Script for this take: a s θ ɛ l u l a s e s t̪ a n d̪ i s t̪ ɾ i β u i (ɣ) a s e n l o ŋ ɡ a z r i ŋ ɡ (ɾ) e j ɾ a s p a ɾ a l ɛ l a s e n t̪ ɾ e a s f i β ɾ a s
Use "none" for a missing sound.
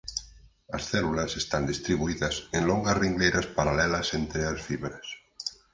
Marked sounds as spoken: ð, l

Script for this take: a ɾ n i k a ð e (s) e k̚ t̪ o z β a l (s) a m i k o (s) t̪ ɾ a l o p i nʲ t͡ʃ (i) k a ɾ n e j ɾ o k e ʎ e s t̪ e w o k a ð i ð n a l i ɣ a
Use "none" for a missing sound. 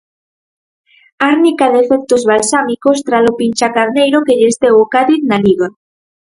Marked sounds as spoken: f, s, s, a

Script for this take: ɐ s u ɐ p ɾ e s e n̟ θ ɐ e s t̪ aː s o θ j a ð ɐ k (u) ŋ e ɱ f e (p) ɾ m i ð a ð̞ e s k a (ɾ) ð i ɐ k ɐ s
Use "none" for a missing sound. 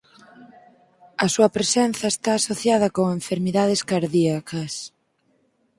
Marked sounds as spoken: o, none, ɾ

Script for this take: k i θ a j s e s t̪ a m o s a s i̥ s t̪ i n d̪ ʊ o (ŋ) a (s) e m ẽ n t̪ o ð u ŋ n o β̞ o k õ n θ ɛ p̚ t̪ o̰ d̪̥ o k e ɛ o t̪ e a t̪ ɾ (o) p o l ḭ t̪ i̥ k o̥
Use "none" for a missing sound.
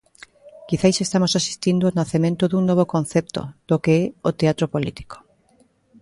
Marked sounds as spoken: n, θ, o

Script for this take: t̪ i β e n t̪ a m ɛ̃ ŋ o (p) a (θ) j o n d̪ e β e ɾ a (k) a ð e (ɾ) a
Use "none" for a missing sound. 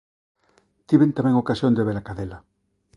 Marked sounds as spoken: k, s, k, l

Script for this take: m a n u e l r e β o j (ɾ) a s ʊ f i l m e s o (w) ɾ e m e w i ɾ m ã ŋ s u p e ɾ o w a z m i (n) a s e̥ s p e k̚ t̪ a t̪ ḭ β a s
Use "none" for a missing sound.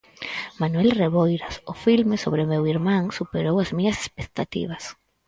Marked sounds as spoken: ɾ, β, ɲ

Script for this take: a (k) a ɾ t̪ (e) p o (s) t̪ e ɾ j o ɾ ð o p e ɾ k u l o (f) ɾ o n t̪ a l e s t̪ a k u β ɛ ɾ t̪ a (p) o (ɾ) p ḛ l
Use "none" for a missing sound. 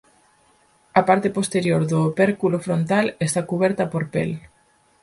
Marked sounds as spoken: p, e, s, f, p, ɾ

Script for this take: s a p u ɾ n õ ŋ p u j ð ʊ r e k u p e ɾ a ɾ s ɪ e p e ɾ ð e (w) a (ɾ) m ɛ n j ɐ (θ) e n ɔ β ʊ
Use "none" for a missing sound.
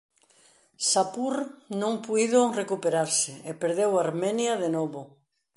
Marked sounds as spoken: w, ɾ, ð

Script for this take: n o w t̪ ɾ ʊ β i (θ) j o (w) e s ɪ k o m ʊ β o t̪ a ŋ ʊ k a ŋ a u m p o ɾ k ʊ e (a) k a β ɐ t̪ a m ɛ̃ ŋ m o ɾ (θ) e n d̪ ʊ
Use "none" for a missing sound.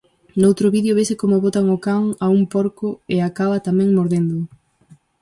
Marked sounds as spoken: ð, β, a, ð

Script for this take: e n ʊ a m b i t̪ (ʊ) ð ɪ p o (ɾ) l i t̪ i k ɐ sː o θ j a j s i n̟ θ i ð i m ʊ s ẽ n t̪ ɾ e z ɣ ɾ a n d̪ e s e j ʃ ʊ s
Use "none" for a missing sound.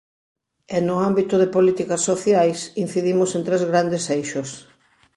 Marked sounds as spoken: ʊ, none

